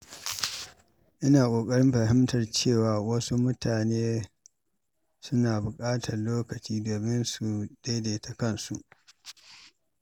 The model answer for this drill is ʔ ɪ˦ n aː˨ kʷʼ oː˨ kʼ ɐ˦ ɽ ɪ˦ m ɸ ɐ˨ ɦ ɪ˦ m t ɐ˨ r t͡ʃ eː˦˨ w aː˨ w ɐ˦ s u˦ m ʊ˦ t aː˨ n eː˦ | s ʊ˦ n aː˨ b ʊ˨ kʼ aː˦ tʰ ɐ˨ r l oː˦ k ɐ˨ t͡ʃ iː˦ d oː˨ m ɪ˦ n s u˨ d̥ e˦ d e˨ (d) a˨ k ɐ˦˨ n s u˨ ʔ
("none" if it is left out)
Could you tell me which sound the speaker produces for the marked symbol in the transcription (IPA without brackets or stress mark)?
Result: t